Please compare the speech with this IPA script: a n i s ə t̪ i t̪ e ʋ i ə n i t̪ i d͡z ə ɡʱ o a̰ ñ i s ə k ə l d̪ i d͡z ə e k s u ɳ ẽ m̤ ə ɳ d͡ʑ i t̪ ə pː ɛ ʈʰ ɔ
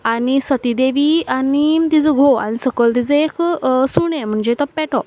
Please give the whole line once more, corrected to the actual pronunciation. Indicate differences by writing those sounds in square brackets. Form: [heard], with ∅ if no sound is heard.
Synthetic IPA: a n i s ə t̪ i [d̪] e ʋ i [a] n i t̪ i d͡z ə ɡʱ o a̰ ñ i s ə k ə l [t̪] i d͡z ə e k s u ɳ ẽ m̤ ə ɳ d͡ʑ [e] t̪ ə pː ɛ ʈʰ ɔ